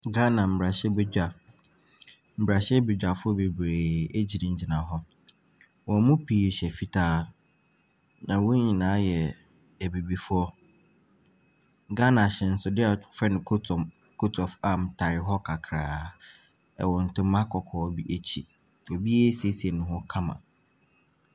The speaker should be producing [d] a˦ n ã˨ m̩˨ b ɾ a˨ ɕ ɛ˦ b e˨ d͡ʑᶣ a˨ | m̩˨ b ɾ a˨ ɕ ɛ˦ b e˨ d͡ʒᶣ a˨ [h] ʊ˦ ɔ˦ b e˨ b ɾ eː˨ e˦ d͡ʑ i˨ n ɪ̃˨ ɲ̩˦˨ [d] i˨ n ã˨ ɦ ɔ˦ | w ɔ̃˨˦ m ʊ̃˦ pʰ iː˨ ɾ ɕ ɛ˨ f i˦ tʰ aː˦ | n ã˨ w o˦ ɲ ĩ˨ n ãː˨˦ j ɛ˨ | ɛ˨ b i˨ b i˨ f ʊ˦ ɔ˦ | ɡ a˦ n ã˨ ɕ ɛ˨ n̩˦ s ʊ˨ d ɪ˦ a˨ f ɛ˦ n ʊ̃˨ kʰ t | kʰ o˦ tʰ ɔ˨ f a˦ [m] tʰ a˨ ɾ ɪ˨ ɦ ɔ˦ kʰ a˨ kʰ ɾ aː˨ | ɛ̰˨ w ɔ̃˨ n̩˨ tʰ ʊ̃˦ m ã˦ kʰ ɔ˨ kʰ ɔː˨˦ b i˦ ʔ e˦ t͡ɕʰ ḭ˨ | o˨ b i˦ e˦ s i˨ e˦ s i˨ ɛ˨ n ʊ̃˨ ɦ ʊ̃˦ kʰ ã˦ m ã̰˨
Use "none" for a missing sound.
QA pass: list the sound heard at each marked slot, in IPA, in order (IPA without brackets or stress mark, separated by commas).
ɡ, f, d͡ʑ, m